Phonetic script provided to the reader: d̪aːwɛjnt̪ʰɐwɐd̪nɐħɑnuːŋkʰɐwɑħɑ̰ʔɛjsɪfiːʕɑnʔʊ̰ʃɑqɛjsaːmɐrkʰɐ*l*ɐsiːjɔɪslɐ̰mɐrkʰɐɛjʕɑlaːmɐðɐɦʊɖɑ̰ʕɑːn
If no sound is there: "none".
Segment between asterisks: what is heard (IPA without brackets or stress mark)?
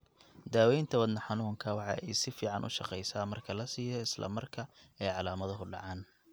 l